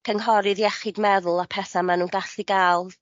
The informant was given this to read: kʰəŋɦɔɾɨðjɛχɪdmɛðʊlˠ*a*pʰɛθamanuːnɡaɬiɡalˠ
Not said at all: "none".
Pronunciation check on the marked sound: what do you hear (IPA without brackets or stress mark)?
a